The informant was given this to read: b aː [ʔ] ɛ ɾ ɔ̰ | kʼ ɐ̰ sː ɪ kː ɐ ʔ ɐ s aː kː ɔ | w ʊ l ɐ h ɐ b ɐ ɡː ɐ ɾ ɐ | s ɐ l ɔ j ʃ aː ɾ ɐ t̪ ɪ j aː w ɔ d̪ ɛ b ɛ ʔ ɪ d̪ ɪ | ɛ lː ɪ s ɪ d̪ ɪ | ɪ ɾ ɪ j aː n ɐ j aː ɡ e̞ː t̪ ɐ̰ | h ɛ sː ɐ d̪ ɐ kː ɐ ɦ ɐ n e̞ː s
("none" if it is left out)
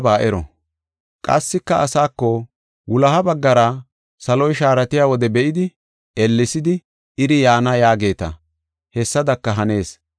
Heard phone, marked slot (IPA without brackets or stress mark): ʔ